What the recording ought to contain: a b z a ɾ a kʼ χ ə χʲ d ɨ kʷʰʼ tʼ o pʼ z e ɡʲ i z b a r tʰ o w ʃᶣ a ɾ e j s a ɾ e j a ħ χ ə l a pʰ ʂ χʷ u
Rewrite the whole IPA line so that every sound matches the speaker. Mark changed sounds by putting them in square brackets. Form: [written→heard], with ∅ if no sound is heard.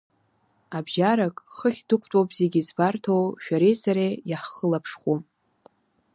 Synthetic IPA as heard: a b [z→ʒ] a ɾ a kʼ χ ə χʲ d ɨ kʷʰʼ tʼ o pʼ z e ɡʲ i z b a r tʰ o w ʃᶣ a ɾ e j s a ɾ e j a ħ χ ə l a pʰ ʂ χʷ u